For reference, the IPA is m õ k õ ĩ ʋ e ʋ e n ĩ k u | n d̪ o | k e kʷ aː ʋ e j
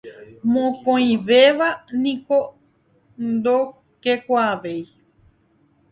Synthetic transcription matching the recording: m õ k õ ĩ ʋ e ʋ a n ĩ k o | n d̪ o | k e kʷ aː ʋ e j